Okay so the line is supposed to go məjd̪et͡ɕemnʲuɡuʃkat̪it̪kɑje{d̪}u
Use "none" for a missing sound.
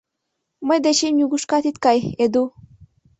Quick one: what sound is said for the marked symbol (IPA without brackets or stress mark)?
d̪